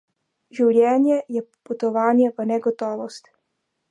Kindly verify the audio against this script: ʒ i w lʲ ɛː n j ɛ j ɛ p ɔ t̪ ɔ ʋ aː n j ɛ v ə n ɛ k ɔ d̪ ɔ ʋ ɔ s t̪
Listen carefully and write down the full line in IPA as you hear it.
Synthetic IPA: ʒ i w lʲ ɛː n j ɛ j ɛ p u t̪ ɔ ʋ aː n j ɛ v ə n ɛ ɡ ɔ t̪ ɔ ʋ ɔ s t̪